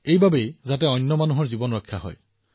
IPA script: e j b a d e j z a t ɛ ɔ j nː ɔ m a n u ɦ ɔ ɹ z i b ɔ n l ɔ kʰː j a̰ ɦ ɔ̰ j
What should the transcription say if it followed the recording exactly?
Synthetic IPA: e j b a b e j z a t ɛ ɔ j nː ɔ m a n u ɦ ɔ ɹ z i b ɔ n ɹ ɔ kʰː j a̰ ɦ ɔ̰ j